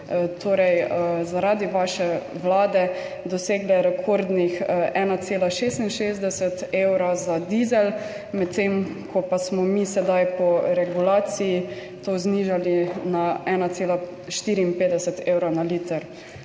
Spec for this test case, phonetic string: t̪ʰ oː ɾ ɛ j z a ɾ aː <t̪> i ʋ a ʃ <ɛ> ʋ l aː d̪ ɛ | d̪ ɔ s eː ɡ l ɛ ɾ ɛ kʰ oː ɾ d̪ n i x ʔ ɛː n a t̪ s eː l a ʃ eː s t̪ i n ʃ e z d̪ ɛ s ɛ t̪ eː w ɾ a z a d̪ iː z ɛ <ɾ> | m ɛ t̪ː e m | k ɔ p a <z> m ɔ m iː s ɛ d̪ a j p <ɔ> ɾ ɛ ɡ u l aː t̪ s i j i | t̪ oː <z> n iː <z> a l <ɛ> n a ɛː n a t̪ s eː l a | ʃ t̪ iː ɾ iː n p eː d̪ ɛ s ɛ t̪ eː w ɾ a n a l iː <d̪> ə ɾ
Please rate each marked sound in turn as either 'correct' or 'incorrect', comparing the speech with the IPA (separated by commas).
incorrect, correct, incorrect, incorrect, correct, correct, incorrect, incorrect, incorrect